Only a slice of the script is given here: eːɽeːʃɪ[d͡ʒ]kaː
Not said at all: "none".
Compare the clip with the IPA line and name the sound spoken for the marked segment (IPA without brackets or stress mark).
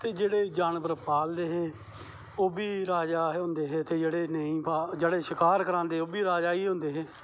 none